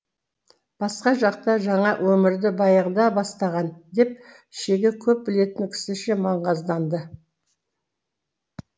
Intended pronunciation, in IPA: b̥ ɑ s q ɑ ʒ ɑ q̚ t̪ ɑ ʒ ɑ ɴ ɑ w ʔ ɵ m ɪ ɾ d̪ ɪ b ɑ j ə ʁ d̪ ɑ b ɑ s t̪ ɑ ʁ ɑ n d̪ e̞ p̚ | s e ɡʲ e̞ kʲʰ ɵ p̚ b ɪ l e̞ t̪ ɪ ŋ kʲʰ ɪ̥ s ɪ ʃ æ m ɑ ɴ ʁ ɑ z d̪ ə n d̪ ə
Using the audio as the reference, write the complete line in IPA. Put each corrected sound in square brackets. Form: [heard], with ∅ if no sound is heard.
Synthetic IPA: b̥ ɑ s q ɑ ʒ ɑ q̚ t̪ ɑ ʒ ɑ ɴ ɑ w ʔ ɵ m ɪ ɾ d̪ ɪ b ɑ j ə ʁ d̪ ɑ b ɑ s t̪ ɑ ʁ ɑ n d̪ e̞ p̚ | [ʃ] e ɡʲ e̞ kʲʰ ɵ p̚ b ɪ l e̞ t̪ ɪ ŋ kʲʰ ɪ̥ s ɪ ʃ [e] m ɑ ɴ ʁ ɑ z d̪ [ɑ] n d̪ ə

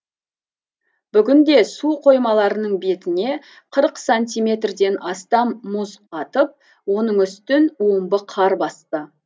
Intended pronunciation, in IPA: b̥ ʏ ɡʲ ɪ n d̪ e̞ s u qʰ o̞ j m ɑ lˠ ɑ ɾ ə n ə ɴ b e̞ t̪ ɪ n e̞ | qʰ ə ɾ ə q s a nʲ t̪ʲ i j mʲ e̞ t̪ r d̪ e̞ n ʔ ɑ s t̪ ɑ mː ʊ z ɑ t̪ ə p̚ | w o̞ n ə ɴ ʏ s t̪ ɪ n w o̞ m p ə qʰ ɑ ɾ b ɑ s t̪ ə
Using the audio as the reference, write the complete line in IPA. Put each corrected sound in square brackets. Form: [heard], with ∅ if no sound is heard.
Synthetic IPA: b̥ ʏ ɡʲ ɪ n d̪ e̞ s u qʰ o̞ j m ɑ lˠ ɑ ɾ ə n ə ɴ b e̞ t̪ ɪ n e̞ | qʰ ə ɾ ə q s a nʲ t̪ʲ i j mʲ e̞ t̪ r d̪ e̞ n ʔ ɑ s t̪ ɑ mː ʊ z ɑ t̪ ə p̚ | w o̞ n ə ɴ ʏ s t̪ ɪ n w o̞ m [b] ə qʰ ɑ ɾ b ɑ s t̪ ə

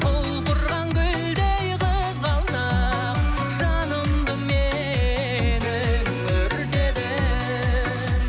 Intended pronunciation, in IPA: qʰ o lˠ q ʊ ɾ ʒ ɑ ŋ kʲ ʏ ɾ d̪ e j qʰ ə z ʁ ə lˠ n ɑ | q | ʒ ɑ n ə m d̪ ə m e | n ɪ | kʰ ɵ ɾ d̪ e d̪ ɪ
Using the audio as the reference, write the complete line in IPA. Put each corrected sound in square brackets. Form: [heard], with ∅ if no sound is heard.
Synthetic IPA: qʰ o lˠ q ʊ ɾ [ʁ] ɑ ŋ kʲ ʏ [l] d̪ e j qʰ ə z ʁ [ɑ] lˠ n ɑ | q | ʒ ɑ n ə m d̪ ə m e | n ɪ | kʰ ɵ ɾ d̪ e d̪ ɪ

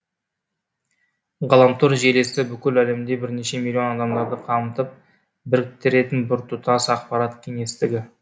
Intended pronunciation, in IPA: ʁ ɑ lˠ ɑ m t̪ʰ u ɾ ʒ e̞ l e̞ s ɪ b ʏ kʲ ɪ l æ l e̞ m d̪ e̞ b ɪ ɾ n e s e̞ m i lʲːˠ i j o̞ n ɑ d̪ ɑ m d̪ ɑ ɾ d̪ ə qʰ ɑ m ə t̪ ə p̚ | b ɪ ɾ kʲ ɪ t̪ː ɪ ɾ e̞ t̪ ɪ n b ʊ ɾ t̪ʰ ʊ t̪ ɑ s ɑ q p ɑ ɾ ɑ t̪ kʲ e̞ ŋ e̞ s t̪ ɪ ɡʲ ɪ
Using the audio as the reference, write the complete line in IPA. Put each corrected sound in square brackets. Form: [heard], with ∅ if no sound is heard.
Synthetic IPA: ʁ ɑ lˠ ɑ m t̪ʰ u ɾ ʒ e̞ l e̞ s ɪ b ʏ kʲ ɪ l æ l e̞ m d̪ e̞ b ɪ ɾ n e [ʃ] e̞ m i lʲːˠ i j o̞ n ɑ d̪ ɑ m d̪ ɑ ɾ d̪ ə qʰ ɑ m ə t̪ ə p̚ | b ɪ ɾ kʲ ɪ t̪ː ɪ ɾ e̞ t̪ ɪ n b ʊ ɾ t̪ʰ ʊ t̪ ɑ s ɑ q p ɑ ɾ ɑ t̪ [kʲʰ] e̞ ŋ e̞ s t̪ ɪ ɡʲ ɪ

